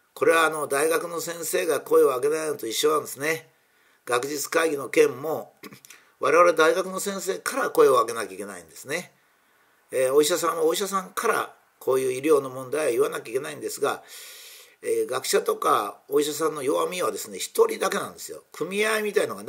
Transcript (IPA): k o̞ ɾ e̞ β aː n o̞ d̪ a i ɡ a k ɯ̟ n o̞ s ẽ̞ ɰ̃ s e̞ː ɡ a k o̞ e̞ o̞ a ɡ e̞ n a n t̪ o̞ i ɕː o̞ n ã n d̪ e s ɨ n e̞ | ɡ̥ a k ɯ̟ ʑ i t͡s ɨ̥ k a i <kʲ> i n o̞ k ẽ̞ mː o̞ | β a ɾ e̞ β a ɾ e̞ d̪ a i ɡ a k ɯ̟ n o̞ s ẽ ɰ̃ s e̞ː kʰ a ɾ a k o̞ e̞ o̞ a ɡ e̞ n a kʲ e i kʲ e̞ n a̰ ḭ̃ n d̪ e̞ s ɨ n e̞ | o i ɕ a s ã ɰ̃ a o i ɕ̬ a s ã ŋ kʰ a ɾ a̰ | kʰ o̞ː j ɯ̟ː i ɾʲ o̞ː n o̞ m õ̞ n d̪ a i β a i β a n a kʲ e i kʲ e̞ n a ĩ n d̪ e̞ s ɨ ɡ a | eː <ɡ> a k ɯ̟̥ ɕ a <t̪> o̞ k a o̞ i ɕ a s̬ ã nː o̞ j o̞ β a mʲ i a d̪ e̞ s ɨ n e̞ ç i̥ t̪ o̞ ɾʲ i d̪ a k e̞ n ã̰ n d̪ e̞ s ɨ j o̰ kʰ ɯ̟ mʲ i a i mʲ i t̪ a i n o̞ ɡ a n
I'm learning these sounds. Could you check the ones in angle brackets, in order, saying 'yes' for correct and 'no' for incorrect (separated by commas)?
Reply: no, yes, yes